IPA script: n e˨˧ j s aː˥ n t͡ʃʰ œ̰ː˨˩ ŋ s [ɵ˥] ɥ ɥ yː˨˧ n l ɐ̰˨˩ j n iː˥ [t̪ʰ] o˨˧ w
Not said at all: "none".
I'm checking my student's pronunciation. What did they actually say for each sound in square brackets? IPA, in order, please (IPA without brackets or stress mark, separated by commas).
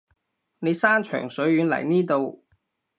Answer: ɵ˨˥, t̪